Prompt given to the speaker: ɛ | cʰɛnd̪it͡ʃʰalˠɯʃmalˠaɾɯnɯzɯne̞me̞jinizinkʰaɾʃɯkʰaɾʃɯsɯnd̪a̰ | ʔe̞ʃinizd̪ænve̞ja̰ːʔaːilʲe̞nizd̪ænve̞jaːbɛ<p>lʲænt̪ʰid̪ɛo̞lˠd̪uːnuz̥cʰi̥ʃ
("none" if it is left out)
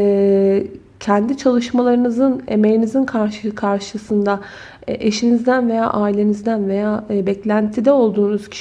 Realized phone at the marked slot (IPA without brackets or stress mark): c